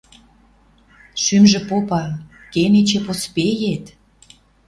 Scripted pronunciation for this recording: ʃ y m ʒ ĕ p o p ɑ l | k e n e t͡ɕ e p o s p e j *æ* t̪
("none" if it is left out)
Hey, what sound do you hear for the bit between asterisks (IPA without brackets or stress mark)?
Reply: e